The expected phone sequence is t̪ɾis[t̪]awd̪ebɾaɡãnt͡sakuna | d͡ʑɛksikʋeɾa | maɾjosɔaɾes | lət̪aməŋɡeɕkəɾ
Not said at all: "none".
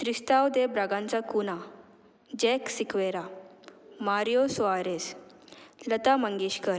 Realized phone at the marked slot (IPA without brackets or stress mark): t̪